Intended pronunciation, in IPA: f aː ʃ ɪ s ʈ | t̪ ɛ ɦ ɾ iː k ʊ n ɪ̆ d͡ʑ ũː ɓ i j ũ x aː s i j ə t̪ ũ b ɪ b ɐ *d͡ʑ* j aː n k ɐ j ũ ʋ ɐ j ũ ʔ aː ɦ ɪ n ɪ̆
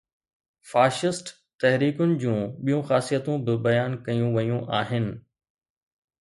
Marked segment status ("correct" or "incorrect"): incorrect